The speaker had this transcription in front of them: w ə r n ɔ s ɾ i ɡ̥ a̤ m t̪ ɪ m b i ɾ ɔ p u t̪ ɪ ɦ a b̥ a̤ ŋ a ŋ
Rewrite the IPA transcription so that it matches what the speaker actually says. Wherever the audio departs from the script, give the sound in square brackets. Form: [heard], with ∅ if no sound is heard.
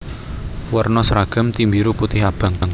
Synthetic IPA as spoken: w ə r n ɔ s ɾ [a] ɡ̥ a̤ m t̪ [i] m b i ɾ [u] p u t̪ ɪ ɦ a b̥ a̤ ŋ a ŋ